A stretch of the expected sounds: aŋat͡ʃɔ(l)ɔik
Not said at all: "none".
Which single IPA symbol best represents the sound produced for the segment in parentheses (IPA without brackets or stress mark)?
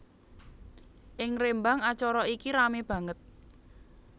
ɾ